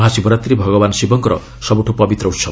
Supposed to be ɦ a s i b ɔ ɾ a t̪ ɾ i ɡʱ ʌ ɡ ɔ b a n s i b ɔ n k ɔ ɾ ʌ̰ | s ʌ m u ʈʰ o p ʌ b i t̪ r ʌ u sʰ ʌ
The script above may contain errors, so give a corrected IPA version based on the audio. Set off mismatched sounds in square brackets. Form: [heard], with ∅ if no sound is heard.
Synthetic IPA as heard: ɦ a s i b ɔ ɾ a t̪ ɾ i [bʱ] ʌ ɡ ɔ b a n s i b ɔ [ŋ] k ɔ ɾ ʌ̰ | s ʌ [b] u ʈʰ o p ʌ b i t̪ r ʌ u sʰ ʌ